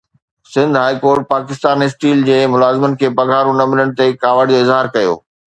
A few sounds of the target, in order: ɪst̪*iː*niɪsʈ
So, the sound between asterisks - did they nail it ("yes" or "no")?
no